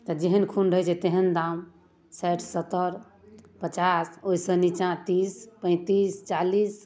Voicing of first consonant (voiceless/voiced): voiceless